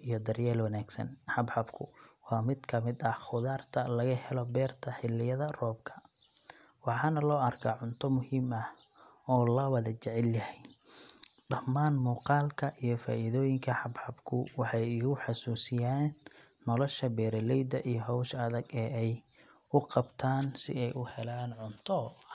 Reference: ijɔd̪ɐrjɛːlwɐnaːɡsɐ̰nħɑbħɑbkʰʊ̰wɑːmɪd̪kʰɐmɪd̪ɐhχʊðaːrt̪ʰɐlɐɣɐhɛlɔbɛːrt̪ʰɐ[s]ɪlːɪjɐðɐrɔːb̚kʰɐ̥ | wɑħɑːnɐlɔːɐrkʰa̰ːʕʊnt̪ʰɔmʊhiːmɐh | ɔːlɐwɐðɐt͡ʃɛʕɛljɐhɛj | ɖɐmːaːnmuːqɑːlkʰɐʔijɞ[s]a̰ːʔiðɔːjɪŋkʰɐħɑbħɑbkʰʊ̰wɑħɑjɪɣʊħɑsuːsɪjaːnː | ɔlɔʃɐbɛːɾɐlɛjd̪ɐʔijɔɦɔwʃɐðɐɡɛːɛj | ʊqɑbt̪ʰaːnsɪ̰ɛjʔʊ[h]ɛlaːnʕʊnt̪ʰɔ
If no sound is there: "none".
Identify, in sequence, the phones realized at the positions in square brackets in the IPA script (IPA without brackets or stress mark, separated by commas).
ħ, f, h